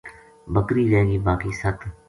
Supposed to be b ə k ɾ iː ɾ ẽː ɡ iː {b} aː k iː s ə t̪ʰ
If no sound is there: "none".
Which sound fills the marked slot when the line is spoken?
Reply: b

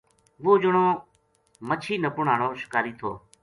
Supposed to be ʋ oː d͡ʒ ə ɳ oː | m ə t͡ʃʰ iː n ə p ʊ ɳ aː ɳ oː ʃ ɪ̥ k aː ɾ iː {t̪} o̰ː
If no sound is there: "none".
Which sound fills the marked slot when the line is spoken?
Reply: t̪ʰ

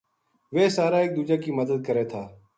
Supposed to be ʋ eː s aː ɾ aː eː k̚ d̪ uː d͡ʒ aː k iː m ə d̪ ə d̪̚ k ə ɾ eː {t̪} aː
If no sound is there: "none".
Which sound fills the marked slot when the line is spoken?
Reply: t̪ʰ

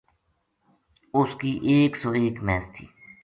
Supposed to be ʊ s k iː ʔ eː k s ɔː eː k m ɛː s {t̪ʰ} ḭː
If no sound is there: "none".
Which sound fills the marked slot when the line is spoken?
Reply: t̪ʰ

